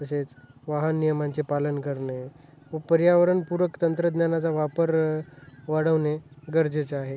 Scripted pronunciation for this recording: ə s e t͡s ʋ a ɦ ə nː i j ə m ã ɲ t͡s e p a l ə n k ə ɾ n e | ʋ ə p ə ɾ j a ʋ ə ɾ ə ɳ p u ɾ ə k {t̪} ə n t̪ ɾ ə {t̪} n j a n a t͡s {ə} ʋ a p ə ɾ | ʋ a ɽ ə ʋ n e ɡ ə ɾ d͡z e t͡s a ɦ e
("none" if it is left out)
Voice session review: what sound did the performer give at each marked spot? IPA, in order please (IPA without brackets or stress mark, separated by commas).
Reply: t̪, d̪, a